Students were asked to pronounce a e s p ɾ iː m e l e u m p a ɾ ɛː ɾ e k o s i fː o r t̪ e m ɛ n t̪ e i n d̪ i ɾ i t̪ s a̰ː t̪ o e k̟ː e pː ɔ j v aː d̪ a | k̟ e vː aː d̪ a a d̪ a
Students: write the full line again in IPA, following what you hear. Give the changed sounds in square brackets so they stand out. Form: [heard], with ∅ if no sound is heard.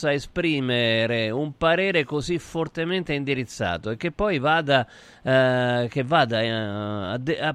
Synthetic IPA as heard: a e s p ɾ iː m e [ɾ] e u m p a ɾ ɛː ɾ e k o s i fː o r t̪ e m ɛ n t̪ e i n d̪ i ɾ i t̪ [sː] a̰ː t̪ o e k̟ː e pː ɔ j v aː d̪ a | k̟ e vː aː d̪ a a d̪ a